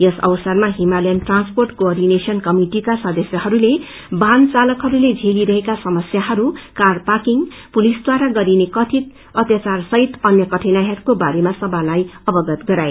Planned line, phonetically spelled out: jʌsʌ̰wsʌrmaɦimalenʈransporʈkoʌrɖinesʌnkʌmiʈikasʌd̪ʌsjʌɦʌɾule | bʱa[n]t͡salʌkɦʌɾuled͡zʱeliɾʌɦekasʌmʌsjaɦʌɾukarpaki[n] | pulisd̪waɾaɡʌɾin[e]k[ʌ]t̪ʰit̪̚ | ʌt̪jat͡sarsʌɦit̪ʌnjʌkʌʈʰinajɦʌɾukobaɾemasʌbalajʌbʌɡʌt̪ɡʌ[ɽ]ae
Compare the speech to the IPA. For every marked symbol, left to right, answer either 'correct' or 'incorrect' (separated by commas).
correct, incorrect, correct, correct, incorrect